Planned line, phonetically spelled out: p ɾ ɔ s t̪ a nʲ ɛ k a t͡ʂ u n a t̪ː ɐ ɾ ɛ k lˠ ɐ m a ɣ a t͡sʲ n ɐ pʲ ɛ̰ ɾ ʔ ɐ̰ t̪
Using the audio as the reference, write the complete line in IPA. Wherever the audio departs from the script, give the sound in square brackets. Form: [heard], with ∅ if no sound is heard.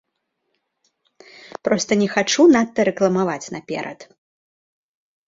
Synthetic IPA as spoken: p ɾ ɔ s t̪ [ɐ] nʲ ɛ [x] a t͡ʂ u n a t̪ː ɐ ɾ ɛ k lˠ ɐ m a [v] a t͡sʲ n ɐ pʲ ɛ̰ ɾ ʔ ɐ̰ t̪